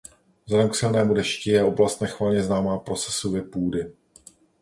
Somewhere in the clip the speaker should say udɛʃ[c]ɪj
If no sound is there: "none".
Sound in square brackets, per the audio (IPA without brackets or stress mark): c